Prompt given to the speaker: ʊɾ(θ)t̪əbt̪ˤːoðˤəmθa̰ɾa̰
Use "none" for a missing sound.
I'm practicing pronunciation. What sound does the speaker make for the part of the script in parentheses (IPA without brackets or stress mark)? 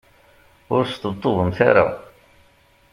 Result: s